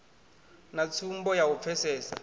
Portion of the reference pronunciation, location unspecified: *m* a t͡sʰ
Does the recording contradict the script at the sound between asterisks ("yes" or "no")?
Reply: yes